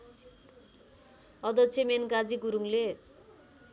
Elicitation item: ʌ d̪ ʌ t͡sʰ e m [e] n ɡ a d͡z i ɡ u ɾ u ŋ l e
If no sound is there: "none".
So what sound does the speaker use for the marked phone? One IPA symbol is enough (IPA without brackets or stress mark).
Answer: e